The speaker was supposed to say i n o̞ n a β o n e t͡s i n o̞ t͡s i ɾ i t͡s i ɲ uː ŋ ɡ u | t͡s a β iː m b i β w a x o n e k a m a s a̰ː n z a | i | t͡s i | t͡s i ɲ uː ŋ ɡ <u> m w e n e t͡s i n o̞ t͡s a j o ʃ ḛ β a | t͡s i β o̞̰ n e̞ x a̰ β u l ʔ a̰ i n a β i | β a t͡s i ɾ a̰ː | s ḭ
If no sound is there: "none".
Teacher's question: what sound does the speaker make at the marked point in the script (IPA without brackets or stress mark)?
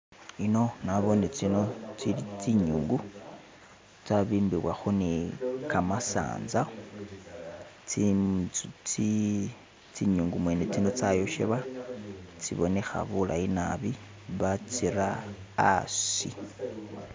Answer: u